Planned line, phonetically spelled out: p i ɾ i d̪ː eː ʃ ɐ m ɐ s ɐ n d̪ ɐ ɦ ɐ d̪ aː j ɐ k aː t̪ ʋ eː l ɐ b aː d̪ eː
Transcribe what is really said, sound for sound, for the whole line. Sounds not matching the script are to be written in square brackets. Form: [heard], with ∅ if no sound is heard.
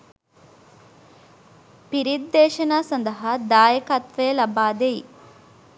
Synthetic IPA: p i ɾ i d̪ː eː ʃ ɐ [n] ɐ s ɐ n d̪ ɐ ɦ ɐ d̪ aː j ɐ k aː t̪ ʋ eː l ɐ b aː d̪ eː